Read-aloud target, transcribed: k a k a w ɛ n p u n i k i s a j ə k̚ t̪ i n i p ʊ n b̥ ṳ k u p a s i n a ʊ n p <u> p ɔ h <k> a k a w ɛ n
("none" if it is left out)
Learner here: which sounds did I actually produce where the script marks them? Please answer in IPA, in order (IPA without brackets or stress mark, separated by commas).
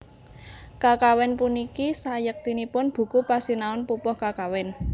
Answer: u, k